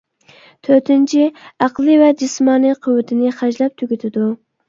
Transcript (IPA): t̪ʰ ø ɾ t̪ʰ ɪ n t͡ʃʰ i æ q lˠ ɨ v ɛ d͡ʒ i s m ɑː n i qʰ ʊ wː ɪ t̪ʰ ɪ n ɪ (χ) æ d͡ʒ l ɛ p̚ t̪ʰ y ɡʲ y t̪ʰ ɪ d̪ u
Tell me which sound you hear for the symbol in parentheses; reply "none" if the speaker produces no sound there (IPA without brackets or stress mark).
χ